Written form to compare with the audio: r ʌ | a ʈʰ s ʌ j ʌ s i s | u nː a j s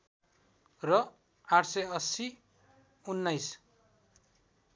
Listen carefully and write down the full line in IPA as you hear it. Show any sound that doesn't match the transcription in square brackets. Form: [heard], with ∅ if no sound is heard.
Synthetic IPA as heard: r ʌ | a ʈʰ s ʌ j ʌ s i [∅] | u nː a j s